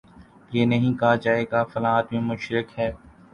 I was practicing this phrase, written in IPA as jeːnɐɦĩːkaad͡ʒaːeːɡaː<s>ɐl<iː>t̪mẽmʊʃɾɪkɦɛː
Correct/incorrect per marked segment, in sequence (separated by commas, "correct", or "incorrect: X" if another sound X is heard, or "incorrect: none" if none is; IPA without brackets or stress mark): incorrect: f, incorrect: aː